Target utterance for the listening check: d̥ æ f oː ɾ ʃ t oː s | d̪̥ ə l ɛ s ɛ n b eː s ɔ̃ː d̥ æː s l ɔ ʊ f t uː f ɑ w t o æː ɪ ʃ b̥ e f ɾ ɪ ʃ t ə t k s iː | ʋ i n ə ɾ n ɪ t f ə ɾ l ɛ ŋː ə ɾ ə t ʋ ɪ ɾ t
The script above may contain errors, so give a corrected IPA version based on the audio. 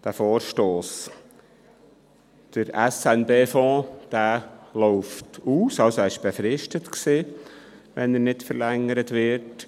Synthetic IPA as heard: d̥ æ f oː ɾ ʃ t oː s | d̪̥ ə ɾ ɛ s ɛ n b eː f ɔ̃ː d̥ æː l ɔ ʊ f t uː s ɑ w s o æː ɪ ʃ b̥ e f ɾ ɪ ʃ t ə t k s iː | ʋ ɛ n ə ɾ n ɪ t f ə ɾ l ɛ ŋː ə ɾ ə t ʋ ɪ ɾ t